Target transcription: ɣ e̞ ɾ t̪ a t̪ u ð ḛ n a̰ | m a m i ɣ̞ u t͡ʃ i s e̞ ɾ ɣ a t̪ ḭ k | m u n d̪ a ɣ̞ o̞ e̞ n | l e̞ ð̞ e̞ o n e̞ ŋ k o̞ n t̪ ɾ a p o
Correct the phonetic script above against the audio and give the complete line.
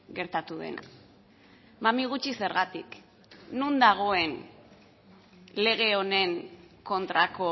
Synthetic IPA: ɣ e̞ ɾ t̪ a t̪ u ð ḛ n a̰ | m a m i ɣ̞ u t͡ʃ i s e̞ ɾ ɣ a t̪ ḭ k | n u n d̪ a ɣ̞ o̞ e̞ n | l e̞ ɣ̞ e̞ o n e̞ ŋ k o̞ n t̪ ɾ a k o